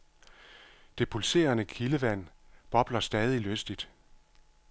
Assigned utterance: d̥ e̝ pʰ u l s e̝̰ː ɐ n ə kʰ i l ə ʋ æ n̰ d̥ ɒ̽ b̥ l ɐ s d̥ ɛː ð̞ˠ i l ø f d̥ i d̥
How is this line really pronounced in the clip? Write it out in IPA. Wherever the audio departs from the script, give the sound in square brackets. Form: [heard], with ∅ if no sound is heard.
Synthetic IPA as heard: d̥ e̝ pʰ u l s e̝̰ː ɐ n ə kʰ i l ə ʋ æ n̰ [b̥] ɒ̽ b̥ l ɐ s d̥ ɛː ð̞ˠ i l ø [s] d̥ i d̥